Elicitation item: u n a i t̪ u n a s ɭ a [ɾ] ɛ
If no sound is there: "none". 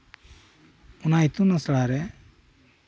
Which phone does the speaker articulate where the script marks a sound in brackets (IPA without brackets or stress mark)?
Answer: ɾ